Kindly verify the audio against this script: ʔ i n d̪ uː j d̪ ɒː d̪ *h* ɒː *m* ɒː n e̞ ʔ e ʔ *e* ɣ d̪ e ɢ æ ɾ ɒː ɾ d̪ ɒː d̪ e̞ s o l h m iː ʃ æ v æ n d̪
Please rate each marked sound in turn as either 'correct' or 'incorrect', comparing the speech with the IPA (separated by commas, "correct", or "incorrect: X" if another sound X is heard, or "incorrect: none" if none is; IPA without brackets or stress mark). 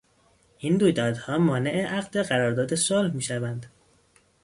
correct, correct, incorrect: æ